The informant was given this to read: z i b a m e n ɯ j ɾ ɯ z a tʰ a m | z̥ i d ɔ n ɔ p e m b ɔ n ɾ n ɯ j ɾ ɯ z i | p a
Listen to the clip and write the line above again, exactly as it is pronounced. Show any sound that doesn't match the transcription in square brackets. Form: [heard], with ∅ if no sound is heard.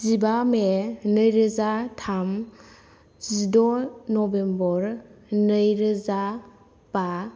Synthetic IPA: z i b a m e n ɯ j ɾ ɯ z a tʰ a m | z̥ i d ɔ n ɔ [b] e m b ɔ [∅] ɾ n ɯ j ɾ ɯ z [a] | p a